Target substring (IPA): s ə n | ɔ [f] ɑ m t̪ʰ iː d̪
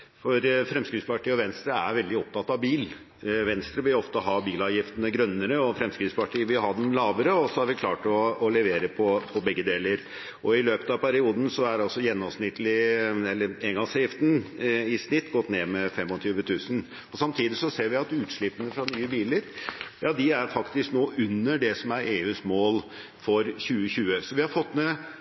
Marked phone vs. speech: incorrect: s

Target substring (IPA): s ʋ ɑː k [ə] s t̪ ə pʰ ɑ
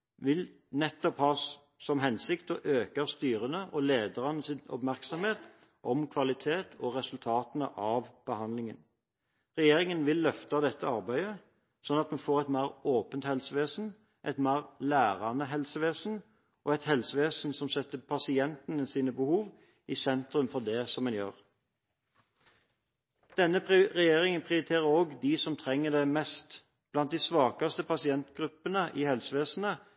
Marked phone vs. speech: incorrect: ɑ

